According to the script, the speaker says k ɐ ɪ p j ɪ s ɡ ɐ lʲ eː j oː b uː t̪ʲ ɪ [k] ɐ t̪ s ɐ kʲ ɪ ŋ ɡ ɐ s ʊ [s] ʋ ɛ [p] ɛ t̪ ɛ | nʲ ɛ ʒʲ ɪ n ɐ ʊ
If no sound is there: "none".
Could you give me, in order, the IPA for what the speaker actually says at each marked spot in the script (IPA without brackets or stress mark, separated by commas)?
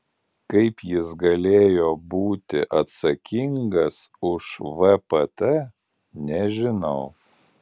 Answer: ʔ, ʃ, p